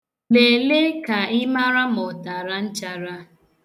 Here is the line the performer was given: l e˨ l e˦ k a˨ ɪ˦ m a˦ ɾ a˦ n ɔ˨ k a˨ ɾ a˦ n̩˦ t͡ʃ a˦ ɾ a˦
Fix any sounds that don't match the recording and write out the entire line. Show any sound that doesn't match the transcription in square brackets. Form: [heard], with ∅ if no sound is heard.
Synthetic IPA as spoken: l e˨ l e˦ k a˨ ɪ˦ m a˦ ɾ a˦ [m] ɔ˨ [t] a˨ ɾ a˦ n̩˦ t͡ʃ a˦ ɾ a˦